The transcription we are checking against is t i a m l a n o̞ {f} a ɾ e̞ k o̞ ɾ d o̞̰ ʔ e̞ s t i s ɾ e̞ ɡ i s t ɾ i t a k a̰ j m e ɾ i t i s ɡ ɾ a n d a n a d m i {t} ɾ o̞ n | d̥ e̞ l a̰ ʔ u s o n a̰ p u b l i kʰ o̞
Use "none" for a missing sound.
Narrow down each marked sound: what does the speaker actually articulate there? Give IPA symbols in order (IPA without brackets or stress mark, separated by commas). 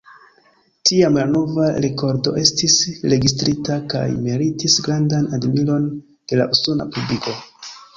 v, none